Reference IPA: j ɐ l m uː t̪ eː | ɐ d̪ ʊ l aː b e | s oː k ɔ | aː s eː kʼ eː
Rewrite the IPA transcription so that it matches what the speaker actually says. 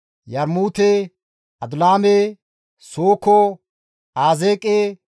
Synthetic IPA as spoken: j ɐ ɾ m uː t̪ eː | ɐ d̪ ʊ l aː m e | s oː k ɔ | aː z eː kʼ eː